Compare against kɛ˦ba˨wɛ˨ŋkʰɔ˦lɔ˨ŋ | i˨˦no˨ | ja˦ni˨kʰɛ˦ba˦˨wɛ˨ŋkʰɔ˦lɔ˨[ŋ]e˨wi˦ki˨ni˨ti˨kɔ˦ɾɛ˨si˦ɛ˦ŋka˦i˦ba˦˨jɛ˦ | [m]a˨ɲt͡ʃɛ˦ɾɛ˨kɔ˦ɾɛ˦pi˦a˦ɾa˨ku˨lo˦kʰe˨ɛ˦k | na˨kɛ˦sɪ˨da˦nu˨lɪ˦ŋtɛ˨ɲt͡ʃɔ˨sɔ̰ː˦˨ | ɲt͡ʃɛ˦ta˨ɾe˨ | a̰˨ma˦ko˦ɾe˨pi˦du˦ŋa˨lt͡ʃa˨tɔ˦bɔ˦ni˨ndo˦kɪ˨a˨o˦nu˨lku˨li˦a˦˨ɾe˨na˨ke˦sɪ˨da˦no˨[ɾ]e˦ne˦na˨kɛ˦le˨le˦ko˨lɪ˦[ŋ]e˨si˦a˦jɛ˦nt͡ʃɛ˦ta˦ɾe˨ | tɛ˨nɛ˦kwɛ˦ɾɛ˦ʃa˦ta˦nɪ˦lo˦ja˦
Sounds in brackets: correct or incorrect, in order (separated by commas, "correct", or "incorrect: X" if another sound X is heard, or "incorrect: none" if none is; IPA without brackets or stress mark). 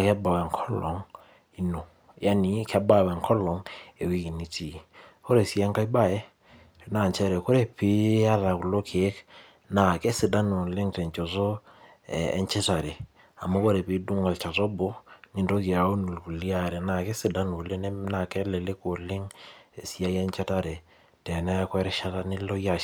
correct, incorrect: n, incorrect: l, correct